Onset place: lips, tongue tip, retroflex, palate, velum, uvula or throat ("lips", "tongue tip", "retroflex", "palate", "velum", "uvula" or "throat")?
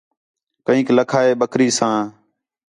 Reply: velum